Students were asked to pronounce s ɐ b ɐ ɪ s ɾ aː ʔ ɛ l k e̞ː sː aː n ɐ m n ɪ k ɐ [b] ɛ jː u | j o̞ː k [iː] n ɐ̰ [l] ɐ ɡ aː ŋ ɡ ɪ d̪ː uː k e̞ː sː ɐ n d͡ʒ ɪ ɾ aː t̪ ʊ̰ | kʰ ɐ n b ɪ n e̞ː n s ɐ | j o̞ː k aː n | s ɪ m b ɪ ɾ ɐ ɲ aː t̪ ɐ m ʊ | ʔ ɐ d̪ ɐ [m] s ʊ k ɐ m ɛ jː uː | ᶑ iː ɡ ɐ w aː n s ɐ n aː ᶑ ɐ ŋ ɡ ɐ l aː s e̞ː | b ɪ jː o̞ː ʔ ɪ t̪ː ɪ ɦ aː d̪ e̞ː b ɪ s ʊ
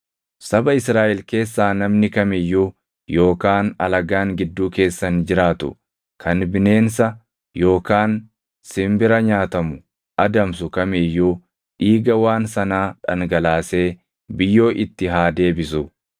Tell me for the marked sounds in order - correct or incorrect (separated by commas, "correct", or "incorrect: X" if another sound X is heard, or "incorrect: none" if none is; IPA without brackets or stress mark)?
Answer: incorrect: m, incorrect: aː, correct, correct